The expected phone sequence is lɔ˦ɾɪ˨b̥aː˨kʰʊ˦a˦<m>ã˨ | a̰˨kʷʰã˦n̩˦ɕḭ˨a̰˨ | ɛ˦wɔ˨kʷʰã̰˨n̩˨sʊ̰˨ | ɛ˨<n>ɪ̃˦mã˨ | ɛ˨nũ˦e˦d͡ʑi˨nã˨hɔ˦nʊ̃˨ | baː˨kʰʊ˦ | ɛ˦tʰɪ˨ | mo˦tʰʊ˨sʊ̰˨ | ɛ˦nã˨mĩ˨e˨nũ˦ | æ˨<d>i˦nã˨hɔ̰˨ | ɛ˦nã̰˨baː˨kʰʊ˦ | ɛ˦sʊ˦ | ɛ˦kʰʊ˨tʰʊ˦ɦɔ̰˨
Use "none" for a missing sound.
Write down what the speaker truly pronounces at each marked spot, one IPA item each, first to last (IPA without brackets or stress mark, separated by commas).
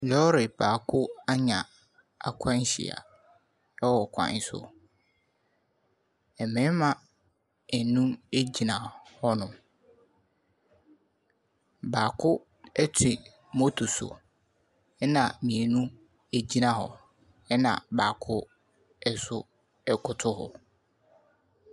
ɲ, m, d͡ʑ